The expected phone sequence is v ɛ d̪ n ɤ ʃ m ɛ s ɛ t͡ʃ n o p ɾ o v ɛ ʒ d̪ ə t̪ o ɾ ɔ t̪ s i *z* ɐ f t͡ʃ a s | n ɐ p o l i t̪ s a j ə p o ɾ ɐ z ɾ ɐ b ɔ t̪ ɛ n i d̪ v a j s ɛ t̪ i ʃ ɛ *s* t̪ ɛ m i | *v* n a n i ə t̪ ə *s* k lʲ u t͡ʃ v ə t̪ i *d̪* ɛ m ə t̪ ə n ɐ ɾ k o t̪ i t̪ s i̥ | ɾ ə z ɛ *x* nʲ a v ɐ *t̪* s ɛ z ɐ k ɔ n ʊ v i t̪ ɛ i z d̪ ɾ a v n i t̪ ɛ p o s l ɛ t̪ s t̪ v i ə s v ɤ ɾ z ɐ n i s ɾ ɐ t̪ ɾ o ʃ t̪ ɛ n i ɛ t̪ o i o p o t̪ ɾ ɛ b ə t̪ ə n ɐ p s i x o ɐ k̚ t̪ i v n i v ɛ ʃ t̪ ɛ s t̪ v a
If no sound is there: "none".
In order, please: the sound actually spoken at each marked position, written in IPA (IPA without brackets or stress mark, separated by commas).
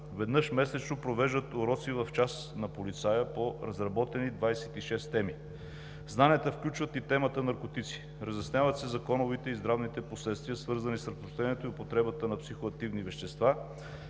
v, s, z, f, t̪, s, t̪